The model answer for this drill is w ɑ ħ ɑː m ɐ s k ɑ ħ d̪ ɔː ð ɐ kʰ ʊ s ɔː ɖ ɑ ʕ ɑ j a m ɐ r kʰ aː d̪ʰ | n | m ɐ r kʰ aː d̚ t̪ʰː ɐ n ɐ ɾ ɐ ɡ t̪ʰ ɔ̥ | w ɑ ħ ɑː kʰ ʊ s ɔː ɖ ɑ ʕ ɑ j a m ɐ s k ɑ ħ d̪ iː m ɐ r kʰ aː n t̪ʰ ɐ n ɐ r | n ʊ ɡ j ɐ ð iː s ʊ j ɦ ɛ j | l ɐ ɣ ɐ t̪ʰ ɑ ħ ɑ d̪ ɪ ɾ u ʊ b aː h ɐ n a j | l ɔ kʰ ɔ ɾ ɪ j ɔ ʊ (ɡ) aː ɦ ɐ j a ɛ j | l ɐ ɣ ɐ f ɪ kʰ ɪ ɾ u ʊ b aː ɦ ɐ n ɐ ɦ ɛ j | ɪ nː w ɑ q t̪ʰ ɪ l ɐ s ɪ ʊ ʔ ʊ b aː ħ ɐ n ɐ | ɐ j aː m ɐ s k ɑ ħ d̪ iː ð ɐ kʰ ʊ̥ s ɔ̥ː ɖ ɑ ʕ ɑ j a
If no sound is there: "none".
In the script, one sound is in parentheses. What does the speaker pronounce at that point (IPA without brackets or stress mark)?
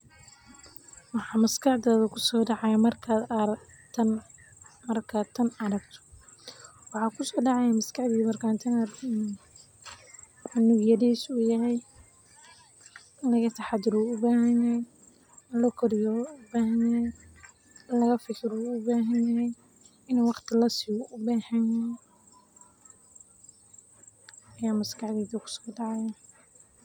b